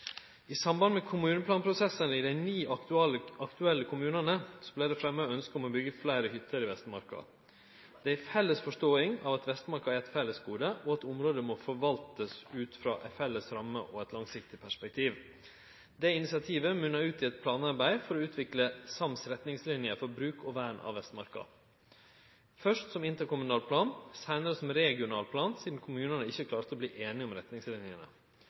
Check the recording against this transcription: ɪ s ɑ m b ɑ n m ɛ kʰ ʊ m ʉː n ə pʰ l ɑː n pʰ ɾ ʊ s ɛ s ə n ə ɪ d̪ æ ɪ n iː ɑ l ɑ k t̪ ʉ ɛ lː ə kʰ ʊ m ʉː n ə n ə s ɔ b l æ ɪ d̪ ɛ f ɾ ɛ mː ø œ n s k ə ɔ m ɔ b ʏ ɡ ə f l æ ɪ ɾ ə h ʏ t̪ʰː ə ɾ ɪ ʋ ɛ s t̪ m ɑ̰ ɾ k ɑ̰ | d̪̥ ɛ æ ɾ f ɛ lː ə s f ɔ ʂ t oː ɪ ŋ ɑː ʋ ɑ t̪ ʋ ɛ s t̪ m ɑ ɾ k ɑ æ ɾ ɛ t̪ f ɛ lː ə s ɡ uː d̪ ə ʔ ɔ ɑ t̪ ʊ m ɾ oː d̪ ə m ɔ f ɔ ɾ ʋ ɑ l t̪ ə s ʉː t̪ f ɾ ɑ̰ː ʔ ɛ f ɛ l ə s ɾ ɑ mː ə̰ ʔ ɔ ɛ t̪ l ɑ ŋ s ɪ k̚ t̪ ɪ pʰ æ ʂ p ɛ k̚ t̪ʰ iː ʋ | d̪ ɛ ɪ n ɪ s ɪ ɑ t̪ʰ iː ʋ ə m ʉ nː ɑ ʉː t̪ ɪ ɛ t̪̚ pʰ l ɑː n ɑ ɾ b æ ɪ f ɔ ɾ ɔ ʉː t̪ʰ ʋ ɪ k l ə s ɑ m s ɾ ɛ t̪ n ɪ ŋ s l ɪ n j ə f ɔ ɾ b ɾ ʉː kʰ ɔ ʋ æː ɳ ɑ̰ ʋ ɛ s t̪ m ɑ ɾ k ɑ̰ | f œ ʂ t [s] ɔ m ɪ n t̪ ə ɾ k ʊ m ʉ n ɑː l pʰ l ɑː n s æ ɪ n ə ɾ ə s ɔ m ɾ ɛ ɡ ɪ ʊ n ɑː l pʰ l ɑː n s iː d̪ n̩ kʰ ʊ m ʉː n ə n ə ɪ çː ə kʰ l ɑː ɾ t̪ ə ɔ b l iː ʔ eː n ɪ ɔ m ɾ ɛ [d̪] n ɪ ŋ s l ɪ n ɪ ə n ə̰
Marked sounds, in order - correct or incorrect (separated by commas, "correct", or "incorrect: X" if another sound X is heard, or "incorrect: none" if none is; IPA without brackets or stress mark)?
correct, incorrect: t̪